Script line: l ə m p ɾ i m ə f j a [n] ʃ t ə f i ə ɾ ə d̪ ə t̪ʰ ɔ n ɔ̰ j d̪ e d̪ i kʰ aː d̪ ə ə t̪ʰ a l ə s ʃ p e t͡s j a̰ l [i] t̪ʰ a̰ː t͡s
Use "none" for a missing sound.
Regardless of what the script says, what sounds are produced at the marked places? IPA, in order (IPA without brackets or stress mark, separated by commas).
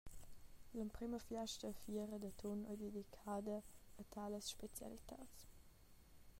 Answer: none, i